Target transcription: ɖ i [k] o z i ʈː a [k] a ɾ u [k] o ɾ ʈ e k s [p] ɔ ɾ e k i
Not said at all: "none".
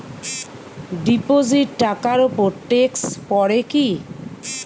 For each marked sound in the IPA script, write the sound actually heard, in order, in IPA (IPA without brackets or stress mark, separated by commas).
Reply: p, k, p, p